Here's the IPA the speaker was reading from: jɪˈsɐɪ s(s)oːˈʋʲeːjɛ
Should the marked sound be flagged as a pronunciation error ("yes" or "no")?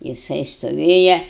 yes